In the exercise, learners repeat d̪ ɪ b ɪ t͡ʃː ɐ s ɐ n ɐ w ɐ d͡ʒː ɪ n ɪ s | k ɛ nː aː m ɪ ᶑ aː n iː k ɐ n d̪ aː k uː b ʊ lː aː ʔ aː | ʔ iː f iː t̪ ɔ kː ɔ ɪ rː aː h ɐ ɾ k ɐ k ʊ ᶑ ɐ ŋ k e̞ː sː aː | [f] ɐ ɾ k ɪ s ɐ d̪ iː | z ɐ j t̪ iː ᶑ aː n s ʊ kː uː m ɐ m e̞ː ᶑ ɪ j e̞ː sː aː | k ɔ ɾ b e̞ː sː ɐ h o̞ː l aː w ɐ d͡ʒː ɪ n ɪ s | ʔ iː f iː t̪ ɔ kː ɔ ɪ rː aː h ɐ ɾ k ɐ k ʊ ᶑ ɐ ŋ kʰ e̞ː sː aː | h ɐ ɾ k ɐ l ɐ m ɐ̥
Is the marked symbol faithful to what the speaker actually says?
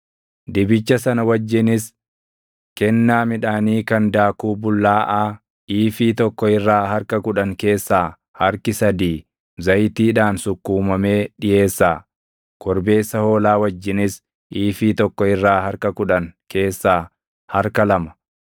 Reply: no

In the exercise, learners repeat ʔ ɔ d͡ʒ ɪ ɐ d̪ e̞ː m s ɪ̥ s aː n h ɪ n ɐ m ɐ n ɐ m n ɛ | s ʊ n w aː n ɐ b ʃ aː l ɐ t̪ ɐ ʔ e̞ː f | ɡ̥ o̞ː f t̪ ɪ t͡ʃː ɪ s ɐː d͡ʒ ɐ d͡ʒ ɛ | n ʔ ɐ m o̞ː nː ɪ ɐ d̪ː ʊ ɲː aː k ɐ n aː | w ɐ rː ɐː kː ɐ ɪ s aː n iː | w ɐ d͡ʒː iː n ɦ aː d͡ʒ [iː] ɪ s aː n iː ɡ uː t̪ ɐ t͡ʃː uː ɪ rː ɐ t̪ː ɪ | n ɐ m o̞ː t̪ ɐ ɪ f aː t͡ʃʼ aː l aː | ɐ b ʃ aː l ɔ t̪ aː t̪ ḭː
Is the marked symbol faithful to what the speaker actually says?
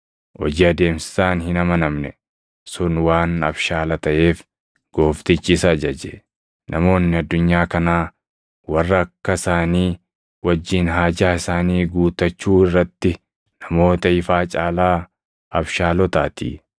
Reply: no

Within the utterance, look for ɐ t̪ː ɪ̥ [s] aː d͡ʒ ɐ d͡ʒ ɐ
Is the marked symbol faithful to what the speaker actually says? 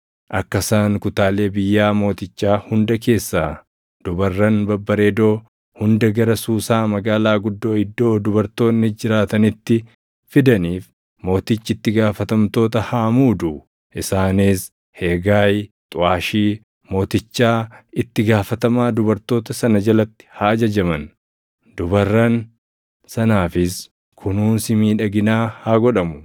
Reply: no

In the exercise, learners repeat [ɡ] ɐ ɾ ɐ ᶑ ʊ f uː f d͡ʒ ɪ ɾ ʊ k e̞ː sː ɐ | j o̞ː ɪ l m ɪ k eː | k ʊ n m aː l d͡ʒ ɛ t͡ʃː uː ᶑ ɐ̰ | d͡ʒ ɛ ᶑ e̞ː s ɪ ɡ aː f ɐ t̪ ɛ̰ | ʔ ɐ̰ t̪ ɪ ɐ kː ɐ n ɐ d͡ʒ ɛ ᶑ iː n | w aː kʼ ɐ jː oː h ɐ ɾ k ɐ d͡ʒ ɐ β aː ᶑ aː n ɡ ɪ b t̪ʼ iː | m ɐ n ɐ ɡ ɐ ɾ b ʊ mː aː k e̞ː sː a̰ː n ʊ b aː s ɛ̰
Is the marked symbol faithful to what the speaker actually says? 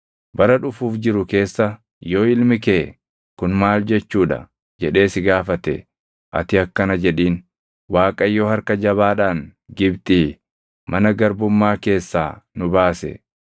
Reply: no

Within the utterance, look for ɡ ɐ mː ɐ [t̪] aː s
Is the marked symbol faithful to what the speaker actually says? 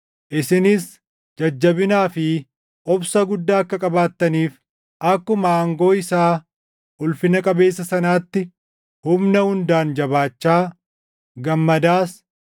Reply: no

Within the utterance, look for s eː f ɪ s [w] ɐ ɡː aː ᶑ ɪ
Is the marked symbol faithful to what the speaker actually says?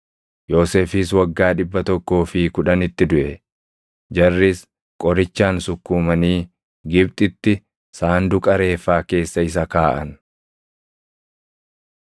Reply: yes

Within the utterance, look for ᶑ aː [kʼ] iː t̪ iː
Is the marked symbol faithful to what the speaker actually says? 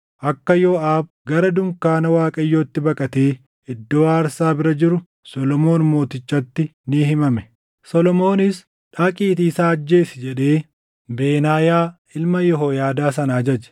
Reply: yes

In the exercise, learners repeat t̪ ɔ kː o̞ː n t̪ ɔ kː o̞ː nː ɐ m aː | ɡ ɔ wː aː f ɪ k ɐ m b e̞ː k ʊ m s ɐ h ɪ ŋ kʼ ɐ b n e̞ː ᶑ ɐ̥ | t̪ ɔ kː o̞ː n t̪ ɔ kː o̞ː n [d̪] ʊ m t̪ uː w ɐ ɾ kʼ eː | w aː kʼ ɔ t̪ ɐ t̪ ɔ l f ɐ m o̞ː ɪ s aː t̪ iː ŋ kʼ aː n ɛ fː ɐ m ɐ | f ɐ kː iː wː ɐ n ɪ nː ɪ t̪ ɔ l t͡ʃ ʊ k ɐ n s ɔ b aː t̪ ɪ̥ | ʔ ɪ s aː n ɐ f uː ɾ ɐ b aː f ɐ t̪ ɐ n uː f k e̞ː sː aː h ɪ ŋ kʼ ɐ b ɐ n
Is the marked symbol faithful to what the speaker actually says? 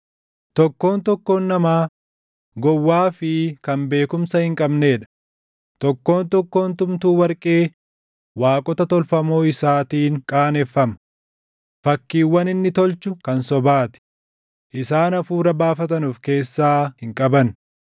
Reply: no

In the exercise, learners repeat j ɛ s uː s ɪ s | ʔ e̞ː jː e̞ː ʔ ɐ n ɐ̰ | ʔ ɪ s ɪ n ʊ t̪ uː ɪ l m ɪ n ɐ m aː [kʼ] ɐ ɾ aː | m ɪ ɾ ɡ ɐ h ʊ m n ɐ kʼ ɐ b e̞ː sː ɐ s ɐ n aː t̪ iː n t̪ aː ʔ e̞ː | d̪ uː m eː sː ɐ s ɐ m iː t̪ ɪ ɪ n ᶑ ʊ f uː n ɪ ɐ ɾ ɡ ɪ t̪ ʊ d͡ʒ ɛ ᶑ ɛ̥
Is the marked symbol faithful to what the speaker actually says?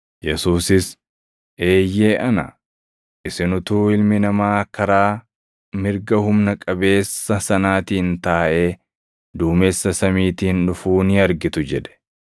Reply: no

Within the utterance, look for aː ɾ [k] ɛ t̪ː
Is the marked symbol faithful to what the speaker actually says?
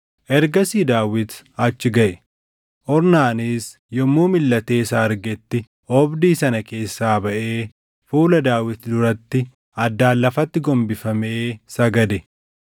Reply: no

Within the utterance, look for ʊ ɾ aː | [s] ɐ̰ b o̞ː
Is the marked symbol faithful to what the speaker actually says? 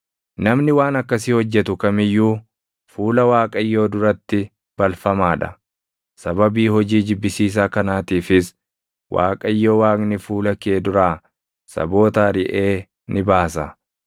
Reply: yes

